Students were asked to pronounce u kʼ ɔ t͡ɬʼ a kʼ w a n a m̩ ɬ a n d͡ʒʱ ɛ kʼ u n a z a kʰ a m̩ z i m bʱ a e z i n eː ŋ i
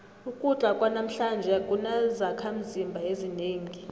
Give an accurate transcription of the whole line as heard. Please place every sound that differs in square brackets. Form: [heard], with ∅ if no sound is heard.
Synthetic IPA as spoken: u kʼ [u] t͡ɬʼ a kʼ w a n a m̩ ɬ a n d͡ʒʱ ɛ kʼ u n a z a kʰ a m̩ z i m bʱ a e z i n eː ŋ i